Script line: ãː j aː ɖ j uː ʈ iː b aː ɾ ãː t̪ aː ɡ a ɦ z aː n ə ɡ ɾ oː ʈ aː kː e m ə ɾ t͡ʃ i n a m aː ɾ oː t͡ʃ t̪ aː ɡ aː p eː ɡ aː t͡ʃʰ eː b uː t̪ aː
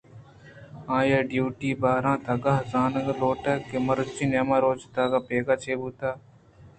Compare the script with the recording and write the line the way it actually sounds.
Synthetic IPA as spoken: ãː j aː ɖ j uː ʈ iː b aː ɾ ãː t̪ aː ɡ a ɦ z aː n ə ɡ l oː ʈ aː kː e m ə ɾ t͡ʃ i n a m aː ɾ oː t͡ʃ t̪ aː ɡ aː p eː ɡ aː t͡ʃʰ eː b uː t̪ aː

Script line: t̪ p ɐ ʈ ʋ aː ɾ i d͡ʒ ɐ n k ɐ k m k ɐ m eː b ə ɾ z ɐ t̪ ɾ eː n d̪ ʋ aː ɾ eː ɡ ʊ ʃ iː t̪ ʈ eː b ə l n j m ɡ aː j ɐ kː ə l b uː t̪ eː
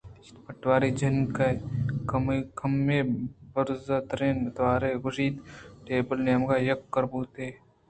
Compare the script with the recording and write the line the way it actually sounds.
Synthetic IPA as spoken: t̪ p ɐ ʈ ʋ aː ɾ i d͡ʒ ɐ n k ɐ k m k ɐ m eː b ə ɾ z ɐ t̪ ɾ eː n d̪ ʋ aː ɾ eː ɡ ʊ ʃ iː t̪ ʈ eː b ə l n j m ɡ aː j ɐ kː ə ɾ b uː t̪ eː

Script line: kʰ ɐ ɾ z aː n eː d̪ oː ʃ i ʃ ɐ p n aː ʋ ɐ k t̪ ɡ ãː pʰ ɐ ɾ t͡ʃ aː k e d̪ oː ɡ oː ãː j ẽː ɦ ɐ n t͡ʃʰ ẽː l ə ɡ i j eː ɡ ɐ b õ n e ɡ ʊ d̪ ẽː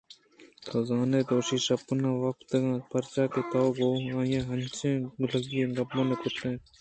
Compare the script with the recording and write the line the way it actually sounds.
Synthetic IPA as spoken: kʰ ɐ z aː n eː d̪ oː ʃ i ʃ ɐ p n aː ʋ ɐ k t̪ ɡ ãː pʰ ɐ ɾ t͡ʃ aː k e t̪ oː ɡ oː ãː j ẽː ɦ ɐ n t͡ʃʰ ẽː l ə ɡ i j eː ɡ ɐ b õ n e k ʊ t̪ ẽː

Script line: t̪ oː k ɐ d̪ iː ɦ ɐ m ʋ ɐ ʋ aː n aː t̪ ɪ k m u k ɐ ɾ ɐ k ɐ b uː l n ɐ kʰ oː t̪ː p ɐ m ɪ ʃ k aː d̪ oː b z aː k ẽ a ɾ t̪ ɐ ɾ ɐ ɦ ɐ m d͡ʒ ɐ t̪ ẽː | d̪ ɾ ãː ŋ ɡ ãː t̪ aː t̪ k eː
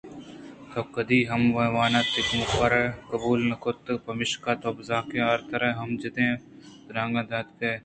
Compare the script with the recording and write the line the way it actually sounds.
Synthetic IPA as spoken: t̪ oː k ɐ d̪ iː ɦ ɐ m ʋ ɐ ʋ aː n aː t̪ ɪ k m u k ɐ ɾ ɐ k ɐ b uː l n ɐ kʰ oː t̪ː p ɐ m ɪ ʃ k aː t̪ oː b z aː k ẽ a ɾ t̪ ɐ ɾ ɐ ɦ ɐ m d͡ʒ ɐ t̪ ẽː | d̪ ɾ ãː ŋ ɡ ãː d̪ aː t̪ k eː

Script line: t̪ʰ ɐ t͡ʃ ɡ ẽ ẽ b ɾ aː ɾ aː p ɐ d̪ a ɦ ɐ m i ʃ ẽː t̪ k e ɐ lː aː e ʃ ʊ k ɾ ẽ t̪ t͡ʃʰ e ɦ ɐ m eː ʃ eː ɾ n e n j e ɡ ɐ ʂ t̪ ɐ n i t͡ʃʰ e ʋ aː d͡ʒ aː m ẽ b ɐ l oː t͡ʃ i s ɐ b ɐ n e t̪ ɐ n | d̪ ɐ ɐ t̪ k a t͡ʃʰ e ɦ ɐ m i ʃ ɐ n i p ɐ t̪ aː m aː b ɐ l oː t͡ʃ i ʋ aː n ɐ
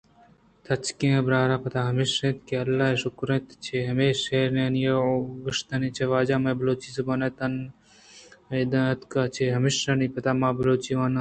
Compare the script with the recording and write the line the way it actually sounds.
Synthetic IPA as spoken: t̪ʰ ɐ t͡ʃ k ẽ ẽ b ɾ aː ɾ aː p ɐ t̪ a ɦ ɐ m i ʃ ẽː t̪ k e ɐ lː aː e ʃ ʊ k ɾ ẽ t̪ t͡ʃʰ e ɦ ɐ m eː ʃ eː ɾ n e n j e ɡ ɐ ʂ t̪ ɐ n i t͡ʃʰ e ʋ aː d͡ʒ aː m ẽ b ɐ l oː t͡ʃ i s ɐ b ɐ n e t̪ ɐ n | d̪ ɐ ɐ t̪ k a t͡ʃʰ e ɦ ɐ m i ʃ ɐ n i p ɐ t̪ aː m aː b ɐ l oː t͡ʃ i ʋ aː n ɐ

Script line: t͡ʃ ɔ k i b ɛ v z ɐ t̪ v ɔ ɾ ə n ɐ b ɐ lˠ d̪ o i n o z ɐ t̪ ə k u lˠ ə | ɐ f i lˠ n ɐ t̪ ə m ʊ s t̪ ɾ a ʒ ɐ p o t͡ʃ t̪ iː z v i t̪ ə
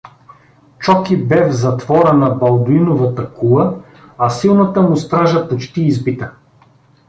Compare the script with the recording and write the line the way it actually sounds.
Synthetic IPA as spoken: t͡ʃ ɔ k i b ɛ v z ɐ t̪ v ɔ ɾ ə n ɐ b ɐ lˠ d̪ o i n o v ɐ t̪ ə k u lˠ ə | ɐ s i lˠ n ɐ t̪ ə m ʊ s t̪ ɾ a ʒ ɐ p o t͡ʃ t̪ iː z b i t̪ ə

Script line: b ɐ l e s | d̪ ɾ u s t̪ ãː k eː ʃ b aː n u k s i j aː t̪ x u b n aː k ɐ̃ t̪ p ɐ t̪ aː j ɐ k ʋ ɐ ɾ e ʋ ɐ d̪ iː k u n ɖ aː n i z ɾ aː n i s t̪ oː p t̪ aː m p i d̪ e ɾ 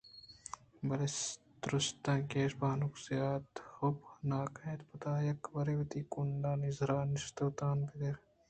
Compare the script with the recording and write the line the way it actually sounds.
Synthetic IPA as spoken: b ɐ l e s | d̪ ɾ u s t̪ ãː k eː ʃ b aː n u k s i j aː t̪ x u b n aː k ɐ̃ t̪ p ɐ t̪ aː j ɐ k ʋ ɐ ɾ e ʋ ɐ t̪ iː k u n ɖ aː n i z ɾ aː n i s t̪ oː t̪ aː n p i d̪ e ɾ

